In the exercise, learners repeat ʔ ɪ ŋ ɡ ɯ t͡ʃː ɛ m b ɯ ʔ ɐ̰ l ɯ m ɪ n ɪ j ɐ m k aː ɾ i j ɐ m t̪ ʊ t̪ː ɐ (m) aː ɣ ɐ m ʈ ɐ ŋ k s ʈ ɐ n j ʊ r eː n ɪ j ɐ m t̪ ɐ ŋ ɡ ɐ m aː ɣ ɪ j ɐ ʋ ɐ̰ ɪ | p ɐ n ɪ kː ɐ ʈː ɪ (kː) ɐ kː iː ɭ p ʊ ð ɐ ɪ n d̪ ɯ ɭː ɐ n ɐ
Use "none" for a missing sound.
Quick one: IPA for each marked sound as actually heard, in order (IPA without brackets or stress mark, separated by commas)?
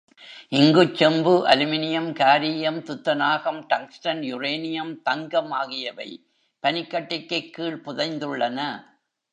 n, kː